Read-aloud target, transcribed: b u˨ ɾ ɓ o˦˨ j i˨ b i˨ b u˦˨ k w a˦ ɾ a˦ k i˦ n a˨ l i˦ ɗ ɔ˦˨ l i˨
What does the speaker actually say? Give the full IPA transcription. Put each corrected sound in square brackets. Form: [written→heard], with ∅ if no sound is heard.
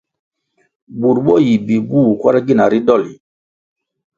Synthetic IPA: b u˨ ɾ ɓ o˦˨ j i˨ b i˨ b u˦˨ k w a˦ ɾ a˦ [k→ɡ] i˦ n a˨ [l→ɾ] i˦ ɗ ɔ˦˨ l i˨